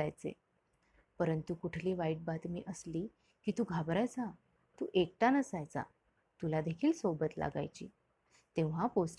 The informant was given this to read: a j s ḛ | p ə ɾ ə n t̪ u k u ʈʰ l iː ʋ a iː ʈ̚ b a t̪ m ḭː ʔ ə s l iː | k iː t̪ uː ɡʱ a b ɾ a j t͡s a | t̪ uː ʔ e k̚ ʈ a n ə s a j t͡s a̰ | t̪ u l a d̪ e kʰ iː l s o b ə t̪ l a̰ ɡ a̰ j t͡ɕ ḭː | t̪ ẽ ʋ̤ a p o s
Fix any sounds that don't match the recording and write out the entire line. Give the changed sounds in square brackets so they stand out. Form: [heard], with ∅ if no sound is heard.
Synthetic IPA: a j [t͡s] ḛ | p ə ɾ ə n t̪ u k u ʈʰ l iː ʋ a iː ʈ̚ b a t̪ m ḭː ʔ ə s l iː | k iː t̪ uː ɡʱ a b ɾ a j t͡s a | t̪ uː ʔ e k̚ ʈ a n ə s a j t͡s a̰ | t̪ u l a d̪ e kʰ iː l s o b ə t̪ l a̰ ɡ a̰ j t͡ɕ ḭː | t̪ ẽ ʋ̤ a p o s